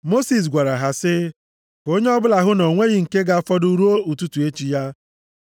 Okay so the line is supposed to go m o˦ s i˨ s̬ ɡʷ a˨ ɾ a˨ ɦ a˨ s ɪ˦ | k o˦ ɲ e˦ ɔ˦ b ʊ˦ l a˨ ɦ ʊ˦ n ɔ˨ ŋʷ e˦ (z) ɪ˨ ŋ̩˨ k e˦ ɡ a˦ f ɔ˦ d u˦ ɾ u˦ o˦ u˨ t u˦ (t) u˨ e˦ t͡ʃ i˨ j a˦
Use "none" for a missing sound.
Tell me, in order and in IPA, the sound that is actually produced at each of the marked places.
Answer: ɣ, t

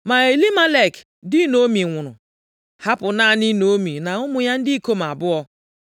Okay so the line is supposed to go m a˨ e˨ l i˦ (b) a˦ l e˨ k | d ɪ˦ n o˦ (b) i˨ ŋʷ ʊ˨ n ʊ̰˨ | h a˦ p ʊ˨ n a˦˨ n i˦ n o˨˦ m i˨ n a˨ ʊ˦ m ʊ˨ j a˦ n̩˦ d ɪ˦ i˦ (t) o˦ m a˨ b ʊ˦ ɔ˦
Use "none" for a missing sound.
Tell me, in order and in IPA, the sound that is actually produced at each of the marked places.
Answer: m, m, k

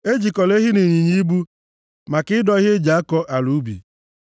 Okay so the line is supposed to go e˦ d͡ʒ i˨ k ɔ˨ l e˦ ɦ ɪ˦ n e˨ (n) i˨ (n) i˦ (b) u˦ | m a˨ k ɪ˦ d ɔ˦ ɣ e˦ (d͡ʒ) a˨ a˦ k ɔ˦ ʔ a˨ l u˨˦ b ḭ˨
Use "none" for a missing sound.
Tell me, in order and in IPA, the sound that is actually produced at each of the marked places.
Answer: ɲ, ɲ, b, d͡ʒ

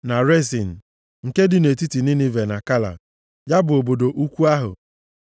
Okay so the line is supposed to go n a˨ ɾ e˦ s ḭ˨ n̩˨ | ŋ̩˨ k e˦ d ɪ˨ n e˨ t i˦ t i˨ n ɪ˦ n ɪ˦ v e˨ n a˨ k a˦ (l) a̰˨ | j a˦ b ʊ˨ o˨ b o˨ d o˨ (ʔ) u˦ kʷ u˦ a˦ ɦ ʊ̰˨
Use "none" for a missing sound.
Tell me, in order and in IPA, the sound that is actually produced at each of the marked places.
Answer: l, ʔ

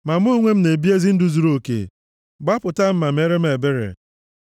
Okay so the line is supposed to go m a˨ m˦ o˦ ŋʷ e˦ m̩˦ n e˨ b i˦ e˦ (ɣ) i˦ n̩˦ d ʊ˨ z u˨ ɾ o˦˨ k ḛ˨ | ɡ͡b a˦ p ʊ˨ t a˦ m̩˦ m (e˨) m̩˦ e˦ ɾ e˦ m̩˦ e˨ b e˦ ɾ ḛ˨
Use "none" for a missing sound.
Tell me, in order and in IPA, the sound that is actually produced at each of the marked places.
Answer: z, a˨

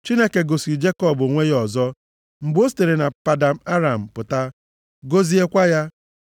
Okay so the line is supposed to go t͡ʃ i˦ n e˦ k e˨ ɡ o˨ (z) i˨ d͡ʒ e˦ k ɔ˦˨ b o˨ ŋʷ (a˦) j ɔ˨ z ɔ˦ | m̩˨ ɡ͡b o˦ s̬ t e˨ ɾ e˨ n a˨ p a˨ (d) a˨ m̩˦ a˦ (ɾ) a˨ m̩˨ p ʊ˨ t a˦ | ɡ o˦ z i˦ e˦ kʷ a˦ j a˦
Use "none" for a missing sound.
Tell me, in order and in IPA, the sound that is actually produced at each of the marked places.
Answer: s, e˦, d, ɾ

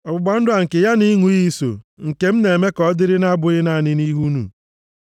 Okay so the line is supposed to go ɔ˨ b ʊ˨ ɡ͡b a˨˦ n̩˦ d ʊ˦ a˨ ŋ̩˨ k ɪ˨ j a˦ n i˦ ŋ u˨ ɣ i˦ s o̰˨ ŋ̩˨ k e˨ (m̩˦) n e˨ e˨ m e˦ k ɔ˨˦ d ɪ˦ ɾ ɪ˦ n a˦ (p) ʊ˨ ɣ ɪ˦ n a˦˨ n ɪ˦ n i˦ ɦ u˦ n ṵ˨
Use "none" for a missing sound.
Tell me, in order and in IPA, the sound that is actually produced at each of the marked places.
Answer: m̩˦, b

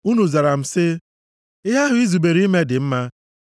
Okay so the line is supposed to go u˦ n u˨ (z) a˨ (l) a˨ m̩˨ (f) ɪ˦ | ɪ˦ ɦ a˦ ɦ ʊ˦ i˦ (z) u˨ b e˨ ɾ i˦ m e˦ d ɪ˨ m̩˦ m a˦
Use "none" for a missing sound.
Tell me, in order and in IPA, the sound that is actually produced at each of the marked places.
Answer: z, ɾ, s, z

